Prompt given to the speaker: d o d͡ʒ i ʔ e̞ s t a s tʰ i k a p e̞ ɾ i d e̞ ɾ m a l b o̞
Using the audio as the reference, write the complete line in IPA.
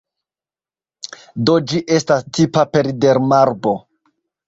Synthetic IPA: d o d͡ʒ i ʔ e̞ s t a s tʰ i p a p e̞ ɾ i d e̞ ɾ m a ɾ b o̞